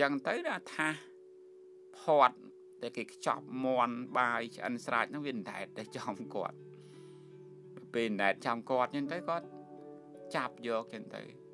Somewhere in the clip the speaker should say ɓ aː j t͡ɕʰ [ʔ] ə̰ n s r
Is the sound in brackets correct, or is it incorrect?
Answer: correct